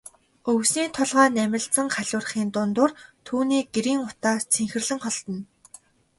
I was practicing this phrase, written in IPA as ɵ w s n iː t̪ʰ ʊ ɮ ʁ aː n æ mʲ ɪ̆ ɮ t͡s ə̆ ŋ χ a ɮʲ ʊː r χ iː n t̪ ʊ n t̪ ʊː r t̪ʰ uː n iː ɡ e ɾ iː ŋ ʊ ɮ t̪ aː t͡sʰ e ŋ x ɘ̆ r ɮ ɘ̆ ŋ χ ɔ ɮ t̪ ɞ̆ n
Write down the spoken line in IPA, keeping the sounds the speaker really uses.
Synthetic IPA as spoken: ɵ w s n iː t̪ʰ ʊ ɮ ʁ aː n æ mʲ ɪ̆ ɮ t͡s ə̆ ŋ χ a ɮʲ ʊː r χ iː n t̪ ʊ n t̪ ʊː r t̪ʰ uː n iː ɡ e ɾ iː ŋ ʊ t̪ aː t͡sʰ e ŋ x ɘ̆ r ɮ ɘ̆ ŋ χ ɔ ɮ t̪ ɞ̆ n